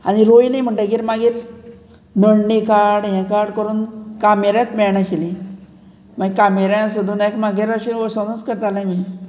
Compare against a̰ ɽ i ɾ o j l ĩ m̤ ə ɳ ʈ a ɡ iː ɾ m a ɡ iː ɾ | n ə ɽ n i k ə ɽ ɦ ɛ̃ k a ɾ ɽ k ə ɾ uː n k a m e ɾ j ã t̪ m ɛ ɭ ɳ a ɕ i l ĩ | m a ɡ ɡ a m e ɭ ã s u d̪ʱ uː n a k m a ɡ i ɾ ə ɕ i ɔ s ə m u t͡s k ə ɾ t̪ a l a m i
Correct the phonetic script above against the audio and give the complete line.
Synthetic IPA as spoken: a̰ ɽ i ɾ o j l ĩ m̤ ə ɳ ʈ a ɡ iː ɾ m a ɡ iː ɾ | n ə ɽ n i k a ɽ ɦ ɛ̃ k a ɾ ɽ k ə ɾ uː n k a m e ɾ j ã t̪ m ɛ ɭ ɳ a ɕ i l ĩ | m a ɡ k a m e ɾ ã s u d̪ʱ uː n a k m a ɡ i ɾ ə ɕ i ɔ s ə n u t͡s k ə ɾ t̪ a l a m i